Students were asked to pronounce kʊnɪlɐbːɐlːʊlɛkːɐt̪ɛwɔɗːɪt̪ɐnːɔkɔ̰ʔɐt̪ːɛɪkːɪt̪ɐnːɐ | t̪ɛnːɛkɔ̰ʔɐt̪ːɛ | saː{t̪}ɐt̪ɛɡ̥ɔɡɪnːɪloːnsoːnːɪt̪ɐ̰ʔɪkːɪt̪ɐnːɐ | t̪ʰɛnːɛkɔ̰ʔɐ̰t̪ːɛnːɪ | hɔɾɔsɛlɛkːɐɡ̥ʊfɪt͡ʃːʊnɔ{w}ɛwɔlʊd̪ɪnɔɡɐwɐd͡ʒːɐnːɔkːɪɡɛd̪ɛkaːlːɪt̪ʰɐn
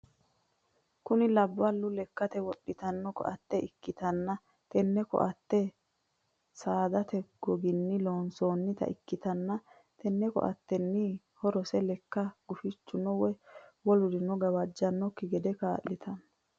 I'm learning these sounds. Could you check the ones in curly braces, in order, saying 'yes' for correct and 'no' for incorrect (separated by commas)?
no, yes